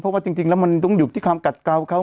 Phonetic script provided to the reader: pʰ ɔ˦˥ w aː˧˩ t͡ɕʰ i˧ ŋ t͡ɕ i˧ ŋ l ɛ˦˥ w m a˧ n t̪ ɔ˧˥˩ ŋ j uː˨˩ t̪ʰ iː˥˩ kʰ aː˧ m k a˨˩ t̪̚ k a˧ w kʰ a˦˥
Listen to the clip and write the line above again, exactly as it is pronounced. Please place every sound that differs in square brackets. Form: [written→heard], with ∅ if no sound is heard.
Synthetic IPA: pʰ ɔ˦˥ w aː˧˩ [t͡ɕʰ→t͡ɕ] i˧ ŋ t͡ɕ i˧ ŋ l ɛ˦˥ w m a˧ n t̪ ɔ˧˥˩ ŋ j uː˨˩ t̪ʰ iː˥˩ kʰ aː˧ m k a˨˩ t̪̚ k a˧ w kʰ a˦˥